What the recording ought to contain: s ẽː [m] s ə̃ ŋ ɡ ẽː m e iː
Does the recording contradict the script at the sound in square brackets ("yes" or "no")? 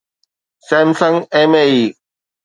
no